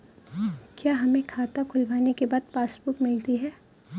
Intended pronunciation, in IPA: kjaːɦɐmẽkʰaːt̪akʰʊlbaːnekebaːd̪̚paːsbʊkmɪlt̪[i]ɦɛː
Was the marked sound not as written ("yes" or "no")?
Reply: no